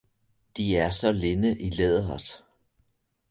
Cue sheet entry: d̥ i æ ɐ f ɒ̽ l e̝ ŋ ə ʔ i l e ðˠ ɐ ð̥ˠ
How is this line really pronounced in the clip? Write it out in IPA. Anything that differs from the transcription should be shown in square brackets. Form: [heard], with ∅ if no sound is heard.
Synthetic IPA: d̥ i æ ɐ [s] ɒ̽ l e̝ [n] ə ʔ i l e ðˠ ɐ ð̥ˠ